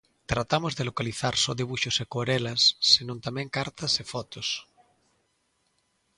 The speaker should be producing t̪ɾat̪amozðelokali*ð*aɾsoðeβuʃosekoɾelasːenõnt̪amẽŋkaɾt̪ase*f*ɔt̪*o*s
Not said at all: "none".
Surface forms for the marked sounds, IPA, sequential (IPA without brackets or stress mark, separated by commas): θ, f, o